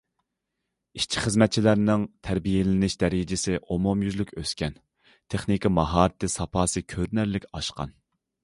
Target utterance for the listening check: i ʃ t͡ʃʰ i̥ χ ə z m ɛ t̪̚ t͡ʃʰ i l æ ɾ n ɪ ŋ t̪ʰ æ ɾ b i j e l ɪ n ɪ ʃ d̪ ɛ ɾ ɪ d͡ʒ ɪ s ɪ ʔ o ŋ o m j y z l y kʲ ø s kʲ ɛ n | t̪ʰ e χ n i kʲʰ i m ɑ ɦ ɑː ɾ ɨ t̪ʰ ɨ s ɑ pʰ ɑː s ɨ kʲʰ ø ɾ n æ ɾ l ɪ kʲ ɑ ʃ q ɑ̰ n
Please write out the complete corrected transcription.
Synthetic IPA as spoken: i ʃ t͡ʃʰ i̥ χ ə z m ɛ t̪̚ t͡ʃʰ i l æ ɾ n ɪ ŋ t̪ʰ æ ɾ b i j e l ɪ n ɪ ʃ d̪ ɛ ɾ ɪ d͡ʒ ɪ s ɪ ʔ o m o m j y z l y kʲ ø s kʲ ɛ n | t̪ʰ e χ n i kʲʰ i m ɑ ɦ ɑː ɾ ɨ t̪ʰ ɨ s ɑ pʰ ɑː s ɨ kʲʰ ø ɾ n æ ɾ l ɪ kʲ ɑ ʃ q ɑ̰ n

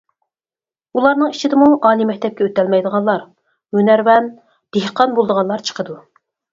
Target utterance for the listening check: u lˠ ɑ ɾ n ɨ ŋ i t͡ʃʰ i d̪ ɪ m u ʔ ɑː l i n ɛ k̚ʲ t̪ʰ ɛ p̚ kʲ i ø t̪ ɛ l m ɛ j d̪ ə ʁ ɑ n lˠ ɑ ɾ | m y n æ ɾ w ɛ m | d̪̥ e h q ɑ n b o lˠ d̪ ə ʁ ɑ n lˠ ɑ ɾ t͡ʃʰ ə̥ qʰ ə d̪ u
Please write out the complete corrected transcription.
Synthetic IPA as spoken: u lˠ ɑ ɾ n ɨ ŋ i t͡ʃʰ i d̪ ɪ m u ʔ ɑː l i m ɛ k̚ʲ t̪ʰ ɛ p̚ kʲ ɛ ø t̪ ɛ l m ɛ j d̪ ə ʁ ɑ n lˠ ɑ ɾ | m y n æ ɾ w ɛ n | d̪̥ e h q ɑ n b o lˠ d̪ ə ʁ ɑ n lˠ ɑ ɾ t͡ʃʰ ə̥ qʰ ə d̪ u

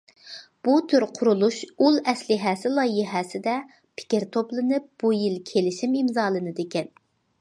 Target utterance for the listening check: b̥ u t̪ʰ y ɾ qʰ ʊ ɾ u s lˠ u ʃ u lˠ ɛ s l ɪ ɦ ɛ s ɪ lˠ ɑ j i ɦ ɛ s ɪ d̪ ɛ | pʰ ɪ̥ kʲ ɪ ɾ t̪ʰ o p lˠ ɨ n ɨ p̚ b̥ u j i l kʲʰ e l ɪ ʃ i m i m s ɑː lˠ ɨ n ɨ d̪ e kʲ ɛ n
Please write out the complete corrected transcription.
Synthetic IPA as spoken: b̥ u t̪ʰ y ɾ qʰ ʊ ɾ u lˠ u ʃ u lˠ ɛ s l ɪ ɦ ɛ s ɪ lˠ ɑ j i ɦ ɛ s ɪ d̪ ɛ | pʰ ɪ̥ kʲ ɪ ɾ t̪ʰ o p lˠ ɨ n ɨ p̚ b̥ u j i l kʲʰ e l ɪ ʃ i m i m z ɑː lˠ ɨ n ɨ d̪ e kʲ ɛ n

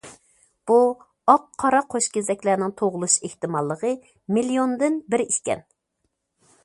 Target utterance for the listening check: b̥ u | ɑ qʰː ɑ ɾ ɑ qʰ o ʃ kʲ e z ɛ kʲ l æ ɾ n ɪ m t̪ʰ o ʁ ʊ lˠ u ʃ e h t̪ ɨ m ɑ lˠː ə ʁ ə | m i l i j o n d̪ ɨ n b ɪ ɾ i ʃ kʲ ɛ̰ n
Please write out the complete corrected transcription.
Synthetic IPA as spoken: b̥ u | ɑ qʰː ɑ ɾ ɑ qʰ o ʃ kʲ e z ɛ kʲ l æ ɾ n ɪ ŋ t̪ʰ o ʁ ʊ lˠ u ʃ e h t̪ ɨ m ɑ lˠː ə ʁ ə | m i l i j o n d̪ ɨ n b ɪ ɾ i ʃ kʲ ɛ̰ n

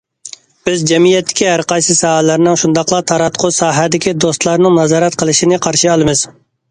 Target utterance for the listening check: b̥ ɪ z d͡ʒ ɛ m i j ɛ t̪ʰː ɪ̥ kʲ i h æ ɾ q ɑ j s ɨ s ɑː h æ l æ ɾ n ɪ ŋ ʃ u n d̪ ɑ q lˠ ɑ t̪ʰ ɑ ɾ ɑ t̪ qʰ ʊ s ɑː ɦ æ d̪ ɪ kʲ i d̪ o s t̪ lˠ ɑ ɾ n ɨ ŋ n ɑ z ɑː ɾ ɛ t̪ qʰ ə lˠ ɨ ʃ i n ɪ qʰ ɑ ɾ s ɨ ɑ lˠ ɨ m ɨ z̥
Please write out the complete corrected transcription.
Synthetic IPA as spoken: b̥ ɪ z d͡ʒ ɛ m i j ɛ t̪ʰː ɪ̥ kʲ i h æ ɾ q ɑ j s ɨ s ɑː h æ l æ ɾ n ɪ ŋ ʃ u n d̪ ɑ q lˠ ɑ t̪ʰ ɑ ɾ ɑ t̪ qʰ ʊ s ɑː ɦ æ d̪ ɪ kʲ i d̪ o s t̪ lˠ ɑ ɾ n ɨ ŋ n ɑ z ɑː ɾ ɛ t̪ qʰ ə lˠ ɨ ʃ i n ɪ qʰ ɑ ɾ ʃ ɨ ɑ lˠ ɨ m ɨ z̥

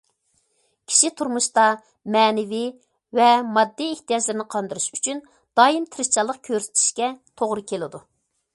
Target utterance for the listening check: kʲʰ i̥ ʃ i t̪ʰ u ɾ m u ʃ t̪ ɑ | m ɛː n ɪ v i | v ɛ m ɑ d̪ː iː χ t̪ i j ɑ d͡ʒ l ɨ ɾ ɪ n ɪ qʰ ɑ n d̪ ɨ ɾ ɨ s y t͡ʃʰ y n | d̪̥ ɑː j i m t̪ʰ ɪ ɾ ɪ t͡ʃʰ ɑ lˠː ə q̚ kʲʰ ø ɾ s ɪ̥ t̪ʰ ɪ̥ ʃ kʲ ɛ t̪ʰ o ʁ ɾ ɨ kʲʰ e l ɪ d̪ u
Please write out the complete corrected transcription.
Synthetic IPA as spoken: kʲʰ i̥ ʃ i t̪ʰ u ɾ m u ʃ t̪ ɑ | m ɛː n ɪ v i | v ɛ m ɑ d̪ː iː h t̪ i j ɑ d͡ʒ l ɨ ɾ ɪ n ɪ qʰ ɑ n d̪ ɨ ɾ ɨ ʃ y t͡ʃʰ y n | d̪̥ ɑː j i m t̪ʰ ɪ ɾ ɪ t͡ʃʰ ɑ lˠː ə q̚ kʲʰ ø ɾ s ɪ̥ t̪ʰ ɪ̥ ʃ kʲ ɛ t̪ʰ o ʁ ɾ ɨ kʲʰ e l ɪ d̪ u

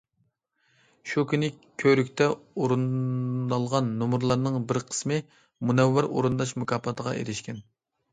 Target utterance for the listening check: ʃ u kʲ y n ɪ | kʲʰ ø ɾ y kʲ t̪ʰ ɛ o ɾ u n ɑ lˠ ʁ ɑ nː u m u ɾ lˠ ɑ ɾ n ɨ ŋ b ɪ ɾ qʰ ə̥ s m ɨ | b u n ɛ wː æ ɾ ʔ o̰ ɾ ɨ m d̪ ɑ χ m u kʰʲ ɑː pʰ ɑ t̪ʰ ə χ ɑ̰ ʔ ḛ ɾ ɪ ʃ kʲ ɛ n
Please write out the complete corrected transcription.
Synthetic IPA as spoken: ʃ u kʲ y n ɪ | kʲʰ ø ɾ y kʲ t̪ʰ ɛ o ɾ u n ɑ lˠ ʁ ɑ nː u m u ɾ lˠ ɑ ɾ n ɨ ŋ b ɪ ɾ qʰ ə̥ s m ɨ | m u n ɛ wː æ ɾ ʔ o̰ ɾ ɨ n d̪ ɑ ʃ m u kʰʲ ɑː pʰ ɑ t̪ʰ ə ʁ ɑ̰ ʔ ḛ ɾ ɪ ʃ kʲ ɛ n

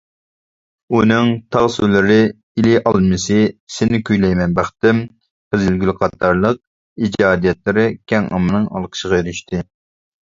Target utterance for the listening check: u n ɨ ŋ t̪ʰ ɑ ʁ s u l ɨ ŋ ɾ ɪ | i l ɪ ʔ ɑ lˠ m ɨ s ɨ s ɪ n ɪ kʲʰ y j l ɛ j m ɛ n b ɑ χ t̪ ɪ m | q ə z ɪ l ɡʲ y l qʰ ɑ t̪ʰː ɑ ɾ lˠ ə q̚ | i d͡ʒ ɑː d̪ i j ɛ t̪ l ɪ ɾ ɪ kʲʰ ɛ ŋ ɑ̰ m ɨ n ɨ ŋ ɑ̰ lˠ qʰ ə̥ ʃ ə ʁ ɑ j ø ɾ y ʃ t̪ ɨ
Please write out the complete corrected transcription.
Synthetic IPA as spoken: u n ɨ ŋ t̪ʰ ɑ ʁ s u l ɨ ɾ ɪ | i l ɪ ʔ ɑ lˠ m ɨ s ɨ s ɪ n ɪ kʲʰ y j l ɛ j m ɛ n b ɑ χ t̪ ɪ m | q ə z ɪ l ɡʲ y l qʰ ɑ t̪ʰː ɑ ɾ lˠ ə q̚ | i d͡ʒ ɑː d̪ i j ɛ t̪ l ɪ ɾ ɪ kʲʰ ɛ ŋ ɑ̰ m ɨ n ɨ ŋ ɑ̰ lˠ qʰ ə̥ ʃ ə ʁ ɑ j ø ɾ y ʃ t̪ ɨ

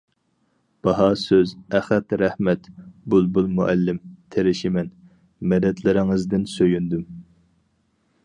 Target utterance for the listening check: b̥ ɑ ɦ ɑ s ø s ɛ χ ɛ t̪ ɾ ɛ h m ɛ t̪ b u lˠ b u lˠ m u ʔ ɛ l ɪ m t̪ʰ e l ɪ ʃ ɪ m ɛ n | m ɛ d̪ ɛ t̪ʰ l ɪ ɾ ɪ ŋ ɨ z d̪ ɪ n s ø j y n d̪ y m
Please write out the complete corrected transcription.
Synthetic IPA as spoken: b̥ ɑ ɦ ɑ s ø z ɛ χ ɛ t̪ ɾ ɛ h m ɛ t̪ b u lˠ b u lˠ m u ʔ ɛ lː ɪ m t̪ʰ e ɾ ɪ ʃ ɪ m ɛ n | m ɛ d̪ ɛ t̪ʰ l ɪ ɾ ɪ ŋ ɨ z d̪ ɪ n s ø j y n d̪ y m

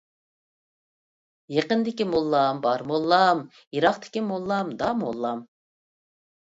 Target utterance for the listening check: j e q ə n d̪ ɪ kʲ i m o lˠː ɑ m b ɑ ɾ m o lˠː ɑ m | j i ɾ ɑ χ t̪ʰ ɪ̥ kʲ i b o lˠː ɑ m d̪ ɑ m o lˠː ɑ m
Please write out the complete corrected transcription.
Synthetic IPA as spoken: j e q ə n d̪ ɪ kʲ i m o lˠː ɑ m b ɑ ɾ m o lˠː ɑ m | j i ɾ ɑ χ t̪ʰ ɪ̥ kʲ i m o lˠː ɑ m d̪ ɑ m o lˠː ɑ m

